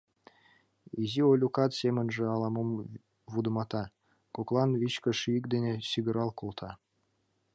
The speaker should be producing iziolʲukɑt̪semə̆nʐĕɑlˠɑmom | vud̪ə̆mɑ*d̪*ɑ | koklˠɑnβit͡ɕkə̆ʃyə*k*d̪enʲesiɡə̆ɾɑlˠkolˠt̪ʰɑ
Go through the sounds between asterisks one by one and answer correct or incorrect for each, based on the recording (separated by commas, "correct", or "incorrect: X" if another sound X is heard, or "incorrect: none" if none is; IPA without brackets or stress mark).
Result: incorrect: t̪, correct